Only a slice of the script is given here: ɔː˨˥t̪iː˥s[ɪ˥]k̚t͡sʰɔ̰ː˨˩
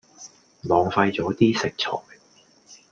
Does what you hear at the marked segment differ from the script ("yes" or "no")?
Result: yes